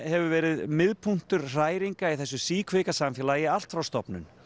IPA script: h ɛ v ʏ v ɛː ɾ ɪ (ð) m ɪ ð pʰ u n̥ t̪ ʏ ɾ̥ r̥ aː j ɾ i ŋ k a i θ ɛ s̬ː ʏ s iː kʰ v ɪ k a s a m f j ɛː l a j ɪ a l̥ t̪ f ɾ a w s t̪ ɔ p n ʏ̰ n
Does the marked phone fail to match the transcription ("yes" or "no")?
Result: no